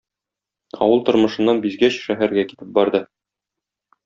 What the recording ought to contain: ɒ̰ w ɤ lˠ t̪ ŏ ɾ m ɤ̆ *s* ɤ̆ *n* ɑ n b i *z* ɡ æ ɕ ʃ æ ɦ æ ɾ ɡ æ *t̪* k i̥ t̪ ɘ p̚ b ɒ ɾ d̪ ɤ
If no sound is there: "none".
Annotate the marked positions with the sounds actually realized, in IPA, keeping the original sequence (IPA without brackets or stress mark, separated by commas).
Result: ʃ, nː, z, none